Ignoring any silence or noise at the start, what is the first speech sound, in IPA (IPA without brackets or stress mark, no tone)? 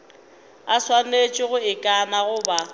a